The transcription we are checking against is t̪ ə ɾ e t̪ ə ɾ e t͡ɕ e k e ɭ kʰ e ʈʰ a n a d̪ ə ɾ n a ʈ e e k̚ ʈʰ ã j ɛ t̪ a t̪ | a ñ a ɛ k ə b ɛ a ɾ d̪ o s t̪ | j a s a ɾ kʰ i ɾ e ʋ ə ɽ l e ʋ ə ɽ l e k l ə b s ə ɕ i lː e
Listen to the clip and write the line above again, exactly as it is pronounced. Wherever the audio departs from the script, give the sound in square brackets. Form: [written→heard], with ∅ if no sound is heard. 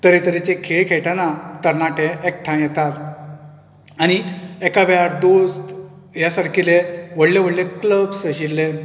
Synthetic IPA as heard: t̪ ə ɾ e t̪ ə ɾ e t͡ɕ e [k→kʰ] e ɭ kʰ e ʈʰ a n a [d̪→t̪] ə ɾ n a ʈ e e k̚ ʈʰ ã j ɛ t̪ a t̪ | a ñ [a→i] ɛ k [ə→a] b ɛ a ɾ d̪ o s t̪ | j a s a ɾ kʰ i [ɾ→l] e ʋ ə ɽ l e ʋ ə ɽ l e k l ə b s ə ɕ i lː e